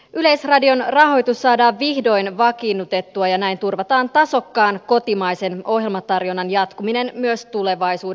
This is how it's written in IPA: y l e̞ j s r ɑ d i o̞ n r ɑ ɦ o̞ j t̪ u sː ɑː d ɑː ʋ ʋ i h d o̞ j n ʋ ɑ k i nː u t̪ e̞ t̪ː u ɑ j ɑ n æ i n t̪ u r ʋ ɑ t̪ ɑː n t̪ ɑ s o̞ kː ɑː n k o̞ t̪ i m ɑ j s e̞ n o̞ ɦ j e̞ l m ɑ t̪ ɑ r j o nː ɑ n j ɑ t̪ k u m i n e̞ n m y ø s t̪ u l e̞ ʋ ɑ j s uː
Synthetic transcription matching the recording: y l e̞ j s r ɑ d i o̞ n r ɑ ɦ o̞ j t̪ u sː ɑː d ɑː ʋ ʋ i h d o̞ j n ʋ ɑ k i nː u t̪ e̞ t̪ː u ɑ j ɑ n æ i n t̪ u r ʋ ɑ t̪ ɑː n t̪ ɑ s o̞ kː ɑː n k o̞ t̪ i m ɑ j s e̞ n o̞ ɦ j e̞ l m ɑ t̪ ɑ r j o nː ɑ n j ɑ t̪ k u m i n e̞ n m y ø s t̪ u l e̞ ʋ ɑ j s uː

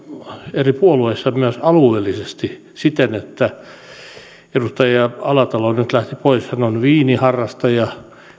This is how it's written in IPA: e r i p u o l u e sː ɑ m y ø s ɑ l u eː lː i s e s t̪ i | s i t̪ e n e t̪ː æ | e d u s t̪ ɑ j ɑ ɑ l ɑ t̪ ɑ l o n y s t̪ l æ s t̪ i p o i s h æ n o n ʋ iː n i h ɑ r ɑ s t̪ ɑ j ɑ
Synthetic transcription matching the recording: e r i p u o l u e sː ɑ m y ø s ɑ l u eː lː i s e s t̪ i | s i t̪ e n e t̪ː æ | e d u s t̪ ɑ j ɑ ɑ l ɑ t̪ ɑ l o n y t̪ l æ h t̪ i p o i s h æ n o n ʋ iː n i h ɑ rː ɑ s t̪ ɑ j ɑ

